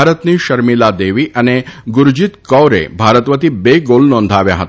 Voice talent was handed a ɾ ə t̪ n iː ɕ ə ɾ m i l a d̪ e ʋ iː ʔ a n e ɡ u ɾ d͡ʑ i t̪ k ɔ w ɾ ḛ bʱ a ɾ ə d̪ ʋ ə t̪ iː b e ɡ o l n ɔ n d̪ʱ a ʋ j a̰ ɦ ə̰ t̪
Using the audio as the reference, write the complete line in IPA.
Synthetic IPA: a ɾ ə t̪ n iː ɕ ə ɾ m i l a d̪ e ʋ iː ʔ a n e ɡ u ɾ d͡ʑ i t̪ k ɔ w ɾ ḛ bʱ a ɾ ə t̪ ʋ ə t̪ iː b e ɡ o l n ɔ n d̪ʱ a ʋ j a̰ ɦ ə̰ t̪